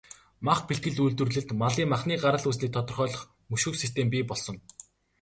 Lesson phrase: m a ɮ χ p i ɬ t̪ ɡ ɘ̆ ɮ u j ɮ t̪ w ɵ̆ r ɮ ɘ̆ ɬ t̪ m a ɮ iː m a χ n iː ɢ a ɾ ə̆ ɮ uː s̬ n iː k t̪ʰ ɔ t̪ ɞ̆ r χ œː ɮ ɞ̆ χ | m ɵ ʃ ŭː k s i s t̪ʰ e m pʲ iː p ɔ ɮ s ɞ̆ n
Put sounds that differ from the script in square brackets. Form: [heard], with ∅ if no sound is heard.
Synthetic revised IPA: m a [∅] χ p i ɬ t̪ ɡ ɘ̆ ɮ u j ɮ t̪ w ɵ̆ r ɮ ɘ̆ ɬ t̪ m a ɮ iː m a χ n iː ɢ a ɾ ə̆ ɮ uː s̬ n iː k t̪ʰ ɔ t̪ ɞ̆ r χ œː ɮ ɞ̆ χ | m ɵ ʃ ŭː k s i s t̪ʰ e m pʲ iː p ɔ ɮ s ɞ̆ n